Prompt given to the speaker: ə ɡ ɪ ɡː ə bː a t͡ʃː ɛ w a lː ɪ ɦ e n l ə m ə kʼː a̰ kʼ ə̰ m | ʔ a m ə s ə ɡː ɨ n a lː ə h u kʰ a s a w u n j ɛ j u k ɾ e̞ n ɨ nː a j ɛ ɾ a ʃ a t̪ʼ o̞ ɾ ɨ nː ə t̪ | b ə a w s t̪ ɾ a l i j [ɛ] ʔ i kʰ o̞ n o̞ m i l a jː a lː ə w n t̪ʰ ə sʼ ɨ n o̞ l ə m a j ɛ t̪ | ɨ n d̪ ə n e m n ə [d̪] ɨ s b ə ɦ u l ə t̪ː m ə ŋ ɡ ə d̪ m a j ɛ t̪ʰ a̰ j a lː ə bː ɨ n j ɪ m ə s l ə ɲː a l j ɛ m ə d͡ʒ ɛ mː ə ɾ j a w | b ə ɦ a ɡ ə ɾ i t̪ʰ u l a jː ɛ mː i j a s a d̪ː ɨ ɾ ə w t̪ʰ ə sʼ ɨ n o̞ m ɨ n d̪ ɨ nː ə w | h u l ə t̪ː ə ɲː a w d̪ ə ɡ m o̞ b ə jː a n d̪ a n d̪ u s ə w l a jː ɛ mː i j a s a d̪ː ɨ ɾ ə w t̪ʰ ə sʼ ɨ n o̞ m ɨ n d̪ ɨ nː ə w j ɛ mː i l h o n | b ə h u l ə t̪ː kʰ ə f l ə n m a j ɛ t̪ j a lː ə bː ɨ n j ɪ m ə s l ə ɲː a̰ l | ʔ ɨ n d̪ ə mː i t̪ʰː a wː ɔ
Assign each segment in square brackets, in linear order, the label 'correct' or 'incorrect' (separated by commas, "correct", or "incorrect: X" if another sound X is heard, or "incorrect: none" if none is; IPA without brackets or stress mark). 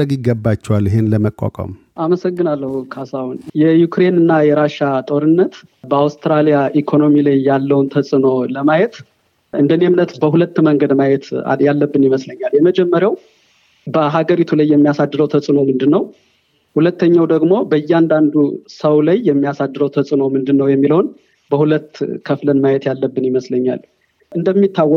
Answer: incorrect: a, incorrect: t̪